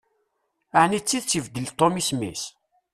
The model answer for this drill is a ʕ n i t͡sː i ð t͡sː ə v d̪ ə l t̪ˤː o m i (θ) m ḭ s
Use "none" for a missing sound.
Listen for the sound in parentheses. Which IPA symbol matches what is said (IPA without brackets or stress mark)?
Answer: s